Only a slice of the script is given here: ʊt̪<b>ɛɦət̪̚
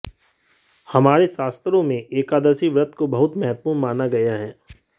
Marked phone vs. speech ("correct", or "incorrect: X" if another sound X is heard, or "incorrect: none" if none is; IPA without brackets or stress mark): incorrect: m